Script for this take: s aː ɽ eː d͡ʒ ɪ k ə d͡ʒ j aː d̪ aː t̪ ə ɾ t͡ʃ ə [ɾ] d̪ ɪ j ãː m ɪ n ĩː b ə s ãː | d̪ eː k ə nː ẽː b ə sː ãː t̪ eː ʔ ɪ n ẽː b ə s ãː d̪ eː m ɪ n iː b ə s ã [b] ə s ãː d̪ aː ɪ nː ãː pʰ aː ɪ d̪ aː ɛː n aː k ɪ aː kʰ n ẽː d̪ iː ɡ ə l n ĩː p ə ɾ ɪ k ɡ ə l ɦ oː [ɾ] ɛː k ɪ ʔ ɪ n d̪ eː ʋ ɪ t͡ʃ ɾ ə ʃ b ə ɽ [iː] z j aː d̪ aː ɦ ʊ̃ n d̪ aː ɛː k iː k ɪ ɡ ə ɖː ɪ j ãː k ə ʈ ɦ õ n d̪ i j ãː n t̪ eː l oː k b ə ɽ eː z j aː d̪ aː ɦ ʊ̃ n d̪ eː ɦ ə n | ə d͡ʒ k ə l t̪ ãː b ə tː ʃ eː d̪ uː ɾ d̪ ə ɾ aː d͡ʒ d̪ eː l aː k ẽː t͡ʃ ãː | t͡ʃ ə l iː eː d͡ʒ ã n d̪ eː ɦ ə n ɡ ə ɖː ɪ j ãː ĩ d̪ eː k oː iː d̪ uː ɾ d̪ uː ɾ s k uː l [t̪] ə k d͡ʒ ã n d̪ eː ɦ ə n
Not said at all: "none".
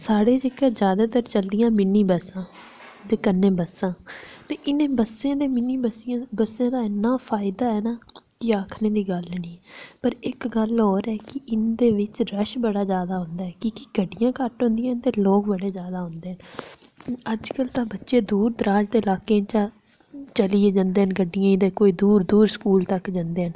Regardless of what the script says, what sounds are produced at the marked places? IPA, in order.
l, b, ɾ, aː, t̪

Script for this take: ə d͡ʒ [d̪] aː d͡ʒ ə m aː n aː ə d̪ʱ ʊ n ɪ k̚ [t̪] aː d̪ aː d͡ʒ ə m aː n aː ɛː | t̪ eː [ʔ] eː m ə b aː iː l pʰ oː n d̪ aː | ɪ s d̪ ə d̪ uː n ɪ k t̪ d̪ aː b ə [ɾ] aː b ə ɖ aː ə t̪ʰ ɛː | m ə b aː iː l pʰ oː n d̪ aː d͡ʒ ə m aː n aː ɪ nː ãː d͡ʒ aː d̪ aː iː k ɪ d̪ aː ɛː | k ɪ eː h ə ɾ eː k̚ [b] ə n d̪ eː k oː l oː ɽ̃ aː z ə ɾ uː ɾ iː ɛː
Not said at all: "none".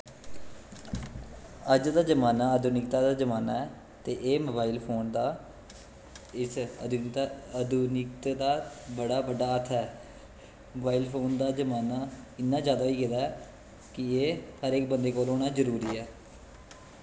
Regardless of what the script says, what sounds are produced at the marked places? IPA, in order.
d̪, t̪, ʔ, ɽ, b

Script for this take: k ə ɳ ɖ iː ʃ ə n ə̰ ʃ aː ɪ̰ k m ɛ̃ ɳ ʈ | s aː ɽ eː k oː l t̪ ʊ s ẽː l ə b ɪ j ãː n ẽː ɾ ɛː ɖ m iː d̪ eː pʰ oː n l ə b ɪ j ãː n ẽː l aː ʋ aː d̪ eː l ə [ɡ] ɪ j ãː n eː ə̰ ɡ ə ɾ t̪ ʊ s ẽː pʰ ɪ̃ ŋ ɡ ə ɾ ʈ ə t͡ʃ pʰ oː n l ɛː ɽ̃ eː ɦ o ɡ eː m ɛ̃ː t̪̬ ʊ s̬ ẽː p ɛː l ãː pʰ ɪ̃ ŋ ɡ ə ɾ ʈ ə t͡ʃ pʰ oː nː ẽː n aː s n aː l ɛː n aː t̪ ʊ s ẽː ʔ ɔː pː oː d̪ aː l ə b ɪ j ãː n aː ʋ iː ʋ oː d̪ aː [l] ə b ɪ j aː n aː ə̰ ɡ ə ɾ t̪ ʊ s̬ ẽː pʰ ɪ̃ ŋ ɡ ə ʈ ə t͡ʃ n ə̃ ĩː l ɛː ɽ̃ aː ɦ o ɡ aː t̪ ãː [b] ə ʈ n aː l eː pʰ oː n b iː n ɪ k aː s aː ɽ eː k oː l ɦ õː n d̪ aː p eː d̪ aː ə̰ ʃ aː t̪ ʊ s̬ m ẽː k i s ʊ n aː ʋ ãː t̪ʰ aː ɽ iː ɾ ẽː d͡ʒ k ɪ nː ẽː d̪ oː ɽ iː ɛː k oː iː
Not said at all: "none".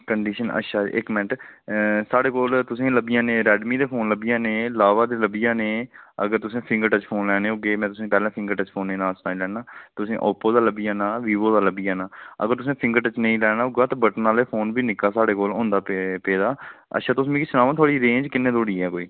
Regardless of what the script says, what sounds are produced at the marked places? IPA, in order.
b, l, b

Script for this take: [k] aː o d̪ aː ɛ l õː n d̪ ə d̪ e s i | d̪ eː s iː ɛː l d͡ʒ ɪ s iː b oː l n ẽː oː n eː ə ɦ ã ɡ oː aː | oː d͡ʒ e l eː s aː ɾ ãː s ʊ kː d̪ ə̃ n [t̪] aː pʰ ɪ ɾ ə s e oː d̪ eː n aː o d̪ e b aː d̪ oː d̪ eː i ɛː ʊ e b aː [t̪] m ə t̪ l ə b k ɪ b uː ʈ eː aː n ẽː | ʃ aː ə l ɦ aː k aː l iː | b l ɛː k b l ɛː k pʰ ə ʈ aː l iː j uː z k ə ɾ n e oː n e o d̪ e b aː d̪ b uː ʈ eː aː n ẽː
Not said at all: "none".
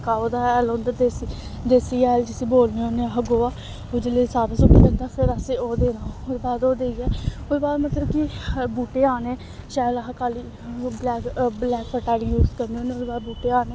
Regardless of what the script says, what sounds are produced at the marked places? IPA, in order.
k, d̪, d̪

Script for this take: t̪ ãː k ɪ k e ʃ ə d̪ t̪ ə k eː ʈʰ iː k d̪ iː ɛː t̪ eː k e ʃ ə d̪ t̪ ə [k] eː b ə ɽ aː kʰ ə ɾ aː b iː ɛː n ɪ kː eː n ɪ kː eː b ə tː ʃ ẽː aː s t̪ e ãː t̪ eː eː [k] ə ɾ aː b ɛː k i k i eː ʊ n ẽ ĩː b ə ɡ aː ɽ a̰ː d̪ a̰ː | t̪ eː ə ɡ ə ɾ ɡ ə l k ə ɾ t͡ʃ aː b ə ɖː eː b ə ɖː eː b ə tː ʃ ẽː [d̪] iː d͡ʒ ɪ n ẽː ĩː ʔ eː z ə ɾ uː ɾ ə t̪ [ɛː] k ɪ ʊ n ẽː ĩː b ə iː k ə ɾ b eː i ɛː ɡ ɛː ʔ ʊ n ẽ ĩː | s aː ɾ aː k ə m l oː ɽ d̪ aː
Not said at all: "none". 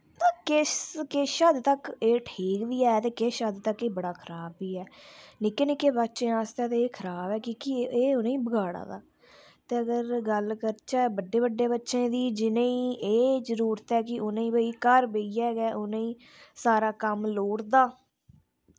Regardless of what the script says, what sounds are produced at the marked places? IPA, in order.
k, kʰ, d̪, ɛː

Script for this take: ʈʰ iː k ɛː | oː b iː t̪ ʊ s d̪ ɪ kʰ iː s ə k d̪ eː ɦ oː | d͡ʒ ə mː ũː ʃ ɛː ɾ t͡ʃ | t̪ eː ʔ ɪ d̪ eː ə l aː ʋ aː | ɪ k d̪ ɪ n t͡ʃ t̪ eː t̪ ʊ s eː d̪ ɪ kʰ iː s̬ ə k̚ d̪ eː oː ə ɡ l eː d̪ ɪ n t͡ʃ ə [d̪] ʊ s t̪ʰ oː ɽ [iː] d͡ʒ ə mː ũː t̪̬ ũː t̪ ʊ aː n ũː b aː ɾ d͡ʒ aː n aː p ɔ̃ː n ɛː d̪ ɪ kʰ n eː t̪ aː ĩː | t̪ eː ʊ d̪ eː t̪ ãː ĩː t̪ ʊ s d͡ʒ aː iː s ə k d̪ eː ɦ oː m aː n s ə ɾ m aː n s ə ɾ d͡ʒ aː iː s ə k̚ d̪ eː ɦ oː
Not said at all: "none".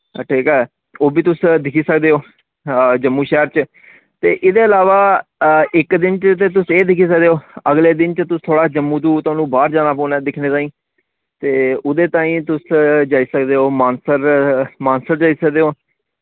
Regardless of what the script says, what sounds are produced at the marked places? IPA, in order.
t̪, aː

